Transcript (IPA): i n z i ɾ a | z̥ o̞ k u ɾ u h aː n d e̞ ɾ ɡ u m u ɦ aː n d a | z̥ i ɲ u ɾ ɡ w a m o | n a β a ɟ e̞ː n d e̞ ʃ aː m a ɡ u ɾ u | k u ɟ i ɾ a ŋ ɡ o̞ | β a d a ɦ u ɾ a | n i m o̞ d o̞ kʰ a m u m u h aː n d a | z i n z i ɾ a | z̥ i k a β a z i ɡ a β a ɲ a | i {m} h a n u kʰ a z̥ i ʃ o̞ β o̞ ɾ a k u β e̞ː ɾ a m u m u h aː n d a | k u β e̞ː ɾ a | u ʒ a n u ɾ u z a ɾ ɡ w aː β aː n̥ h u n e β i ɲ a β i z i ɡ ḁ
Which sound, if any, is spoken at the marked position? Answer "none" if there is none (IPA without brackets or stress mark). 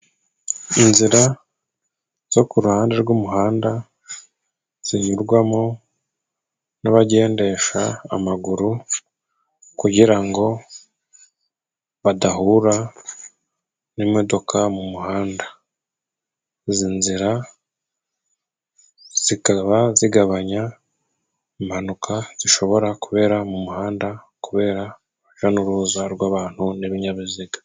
m